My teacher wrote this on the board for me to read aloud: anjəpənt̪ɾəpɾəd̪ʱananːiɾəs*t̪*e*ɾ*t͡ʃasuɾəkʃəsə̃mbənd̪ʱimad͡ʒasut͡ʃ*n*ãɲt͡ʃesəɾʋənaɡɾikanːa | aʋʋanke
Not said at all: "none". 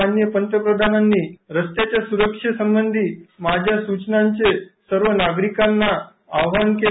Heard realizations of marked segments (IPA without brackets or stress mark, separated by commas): t̪, none, n